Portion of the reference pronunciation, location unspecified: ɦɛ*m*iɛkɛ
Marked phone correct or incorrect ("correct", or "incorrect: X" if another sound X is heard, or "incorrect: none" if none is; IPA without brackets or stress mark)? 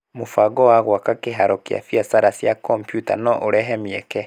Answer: correct